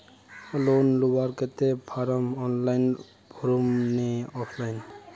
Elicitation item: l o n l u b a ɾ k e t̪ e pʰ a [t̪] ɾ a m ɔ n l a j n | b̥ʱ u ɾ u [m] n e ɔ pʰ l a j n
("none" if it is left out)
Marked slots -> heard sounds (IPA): none, m

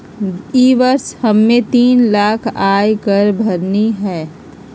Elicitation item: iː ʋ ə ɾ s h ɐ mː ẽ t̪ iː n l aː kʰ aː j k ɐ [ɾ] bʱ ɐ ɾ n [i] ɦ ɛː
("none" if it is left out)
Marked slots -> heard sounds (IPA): ɾ, i

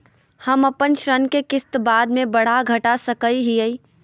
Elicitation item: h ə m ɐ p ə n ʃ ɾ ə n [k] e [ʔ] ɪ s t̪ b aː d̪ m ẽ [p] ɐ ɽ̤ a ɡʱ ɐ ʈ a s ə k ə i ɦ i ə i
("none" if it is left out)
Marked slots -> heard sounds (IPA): k, k, b

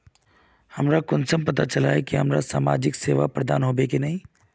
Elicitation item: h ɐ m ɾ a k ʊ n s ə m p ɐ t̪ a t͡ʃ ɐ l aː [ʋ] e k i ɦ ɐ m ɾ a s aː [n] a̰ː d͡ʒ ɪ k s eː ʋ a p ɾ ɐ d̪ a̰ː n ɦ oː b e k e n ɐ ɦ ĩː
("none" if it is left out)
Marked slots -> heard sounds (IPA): none, m

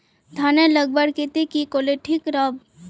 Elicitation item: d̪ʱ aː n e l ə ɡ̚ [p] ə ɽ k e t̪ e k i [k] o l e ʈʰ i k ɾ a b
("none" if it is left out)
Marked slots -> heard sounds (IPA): b, k

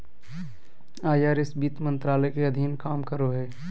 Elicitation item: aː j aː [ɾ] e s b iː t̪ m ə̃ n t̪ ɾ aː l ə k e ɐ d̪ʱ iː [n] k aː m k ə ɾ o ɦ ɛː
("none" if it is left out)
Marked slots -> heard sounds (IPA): ɾ, n

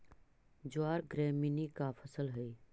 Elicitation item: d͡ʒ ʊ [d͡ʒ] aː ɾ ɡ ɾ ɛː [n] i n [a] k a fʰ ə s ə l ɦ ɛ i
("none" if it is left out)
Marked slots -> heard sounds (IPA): none, m, i

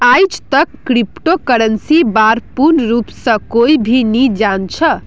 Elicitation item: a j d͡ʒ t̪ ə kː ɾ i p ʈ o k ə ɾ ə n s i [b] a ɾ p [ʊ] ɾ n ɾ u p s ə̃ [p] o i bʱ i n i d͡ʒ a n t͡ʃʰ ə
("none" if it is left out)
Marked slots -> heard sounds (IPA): b, u, k

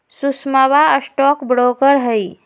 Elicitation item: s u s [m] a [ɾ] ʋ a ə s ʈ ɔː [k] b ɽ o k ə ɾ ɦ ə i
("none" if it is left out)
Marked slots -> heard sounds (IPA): m, none, k

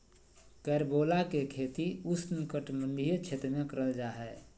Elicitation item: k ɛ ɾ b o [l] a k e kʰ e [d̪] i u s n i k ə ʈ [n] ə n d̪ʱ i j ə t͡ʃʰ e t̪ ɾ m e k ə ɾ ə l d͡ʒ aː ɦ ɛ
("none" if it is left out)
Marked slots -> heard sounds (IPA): l, t̪, m

